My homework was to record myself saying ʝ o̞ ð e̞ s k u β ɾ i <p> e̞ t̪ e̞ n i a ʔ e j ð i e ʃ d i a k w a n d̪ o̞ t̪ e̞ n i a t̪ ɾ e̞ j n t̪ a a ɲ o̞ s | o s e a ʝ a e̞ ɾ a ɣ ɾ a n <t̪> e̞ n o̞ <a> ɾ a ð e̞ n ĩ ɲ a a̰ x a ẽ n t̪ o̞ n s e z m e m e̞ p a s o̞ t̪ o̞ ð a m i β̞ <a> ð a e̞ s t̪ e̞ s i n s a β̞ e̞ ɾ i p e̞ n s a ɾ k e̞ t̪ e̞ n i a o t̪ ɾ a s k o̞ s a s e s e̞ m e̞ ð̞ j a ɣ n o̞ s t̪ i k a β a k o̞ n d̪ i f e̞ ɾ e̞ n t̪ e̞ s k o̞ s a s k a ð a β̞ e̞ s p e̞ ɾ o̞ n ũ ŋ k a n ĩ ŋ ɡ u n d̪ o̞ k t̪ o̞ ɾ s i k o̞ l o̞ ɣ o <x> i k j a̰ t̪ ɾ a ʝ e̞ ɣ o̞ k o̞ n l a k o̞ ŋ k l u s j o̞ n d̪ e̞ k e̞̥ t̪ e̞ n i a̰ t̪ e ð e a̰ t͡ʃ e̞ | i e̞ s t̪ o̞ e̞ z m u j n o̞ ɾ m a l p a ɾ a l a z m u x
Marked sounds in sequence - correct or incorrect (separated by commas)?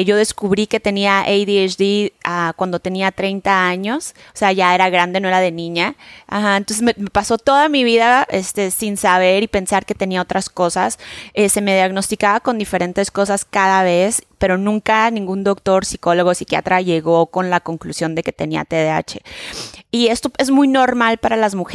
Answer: incorrect, incorrect, incorrect, incorrect, incorrect